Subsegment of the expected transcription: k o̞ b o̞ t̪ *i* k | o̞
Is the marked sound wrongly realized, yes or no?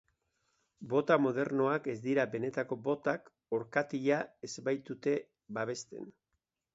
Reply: yes